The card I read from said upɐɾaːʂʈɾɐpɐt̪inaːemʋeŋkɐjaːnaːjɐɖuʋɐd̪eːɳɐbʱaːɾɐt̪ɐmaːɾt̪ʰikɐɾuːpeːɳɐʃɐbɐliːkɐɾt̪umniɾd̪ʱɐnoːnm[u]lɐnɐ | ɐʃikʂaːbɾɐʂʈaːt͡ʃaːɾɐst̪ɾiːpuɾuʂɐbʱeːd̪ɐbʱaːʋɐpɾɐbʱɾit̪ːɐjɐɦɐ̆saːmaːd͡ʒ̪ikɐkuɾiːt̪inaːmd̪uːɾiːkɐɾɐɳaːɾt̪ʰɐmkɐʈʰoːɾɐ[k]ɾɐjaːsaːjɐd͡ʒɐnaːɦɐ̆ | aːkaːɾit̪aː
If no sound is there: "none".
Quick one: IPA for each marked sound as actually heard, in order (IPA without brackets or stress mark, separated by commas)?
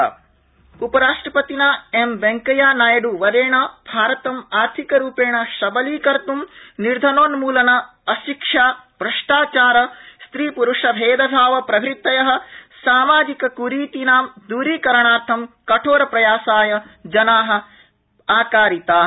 uː, p